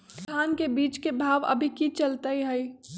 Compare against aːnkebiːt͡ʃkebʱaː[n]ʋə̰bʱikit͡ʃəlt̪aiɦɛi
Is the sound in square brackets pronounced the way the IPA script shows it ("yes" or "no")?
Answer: no